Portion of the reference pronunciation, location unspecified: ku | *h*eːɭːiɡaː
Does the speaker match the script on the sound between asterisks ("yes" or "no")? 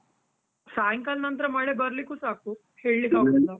yes